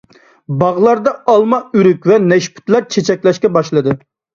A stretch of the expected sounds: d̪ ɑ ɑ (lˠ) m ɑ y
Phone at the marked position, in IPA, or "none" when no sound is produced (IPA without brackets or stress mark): lˠ